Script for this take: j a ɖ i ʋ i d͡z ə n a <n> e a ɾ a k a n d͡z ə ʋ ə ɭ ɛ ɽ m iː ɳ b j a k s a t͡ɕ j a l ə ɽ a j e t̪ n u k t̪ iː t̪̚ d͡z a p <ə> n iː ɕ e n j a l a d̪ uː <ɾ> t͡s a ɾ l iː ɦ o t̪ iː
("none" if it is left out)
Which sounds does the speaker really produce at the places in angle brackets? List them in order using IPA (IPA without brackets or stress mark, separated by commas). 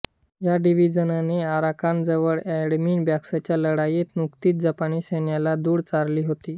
n, a, ɽ